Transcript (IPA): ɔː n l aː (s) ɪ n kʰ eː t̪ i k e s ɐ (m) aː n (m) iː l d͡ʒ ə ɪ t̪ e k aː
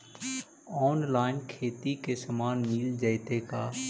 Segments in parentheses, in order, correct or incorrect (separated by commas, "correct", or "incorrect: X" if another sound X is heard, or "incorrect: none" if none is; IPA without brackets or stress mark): incorrect: none, correct, correct